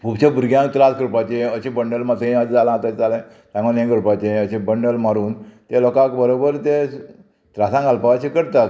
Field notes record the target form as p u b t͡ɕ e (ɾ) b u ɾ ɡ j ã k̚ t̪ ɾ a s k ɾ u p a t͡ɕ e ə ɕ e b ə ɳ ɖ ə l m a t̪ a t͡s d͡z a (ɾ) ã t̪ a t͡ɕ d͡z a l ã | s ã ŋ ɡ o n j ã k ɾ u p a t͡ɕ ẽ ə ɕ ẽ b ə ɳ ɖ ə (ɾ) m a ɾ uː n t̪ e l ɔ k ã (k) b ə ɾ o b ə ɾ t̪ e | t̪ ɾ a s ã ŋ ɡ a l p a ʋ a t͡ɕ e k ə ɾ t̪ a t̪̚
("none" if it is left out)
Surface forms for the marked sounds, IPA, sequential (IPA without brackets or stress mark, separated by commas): none, l, l, k